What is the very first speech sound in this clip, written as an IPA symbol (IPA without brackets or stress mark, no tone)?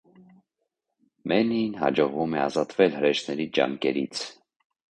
m